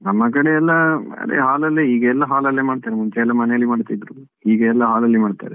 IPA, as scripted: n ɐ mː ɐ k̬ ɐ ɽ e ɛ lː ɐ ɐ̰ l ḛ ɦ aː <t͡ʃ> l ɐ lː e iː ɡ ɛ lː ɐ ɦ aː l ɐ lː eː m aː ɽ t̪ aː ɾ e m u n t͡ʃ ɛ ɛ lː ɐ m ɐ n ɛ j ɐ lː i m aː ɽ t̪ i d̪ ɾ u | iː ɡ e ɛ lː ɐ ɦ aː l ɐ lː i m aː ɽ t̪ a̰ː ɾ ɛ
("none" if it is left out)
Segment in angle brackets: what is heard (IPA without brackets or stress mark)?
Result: none